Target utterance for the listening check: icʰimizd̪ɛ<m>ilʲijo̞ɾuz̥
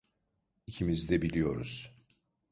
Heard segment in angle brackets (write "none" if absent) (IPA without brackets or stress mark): b